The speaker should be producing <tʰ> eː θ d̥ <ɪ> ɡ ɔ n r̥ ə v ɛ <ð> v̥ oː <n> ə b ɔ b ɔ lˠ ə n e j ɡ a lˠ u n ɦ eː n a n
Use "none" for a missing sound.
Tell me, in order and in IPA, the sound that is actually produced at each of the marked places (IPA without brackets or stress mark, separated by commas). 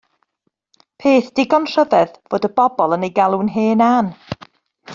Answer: pʰ, ɪ, ð, d